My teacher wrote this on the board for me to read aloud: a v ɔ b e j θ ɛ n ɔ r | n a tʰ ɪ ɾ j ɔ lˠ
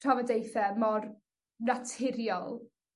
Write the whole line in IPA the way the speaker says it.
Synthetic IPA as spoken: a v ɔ d e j θ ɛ m ɔ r | n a tʰ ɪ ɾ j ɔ lˠ